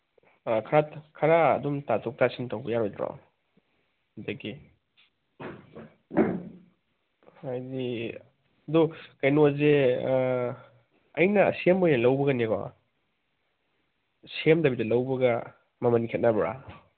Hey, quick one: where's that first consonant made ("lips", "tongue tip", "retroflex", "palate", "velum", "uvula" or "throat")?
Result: velum